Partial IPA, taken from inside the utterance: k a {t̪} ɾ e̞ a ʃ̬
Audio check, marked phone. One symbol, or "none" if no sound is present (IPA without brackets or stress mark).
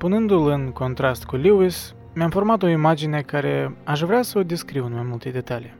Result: none